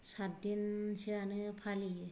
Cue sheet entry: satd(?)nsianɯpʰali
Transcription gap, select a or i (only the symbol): i